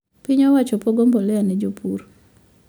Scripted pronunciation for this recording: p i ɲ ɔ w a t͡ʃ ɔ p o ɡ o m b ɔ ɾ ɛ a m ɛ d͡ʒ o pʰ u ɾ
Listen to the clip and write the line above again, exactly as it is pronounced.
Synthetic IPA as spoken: p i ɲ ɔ w a t͡ʃ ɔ p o ɡ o m b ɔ l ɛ a n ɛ d͡ʒ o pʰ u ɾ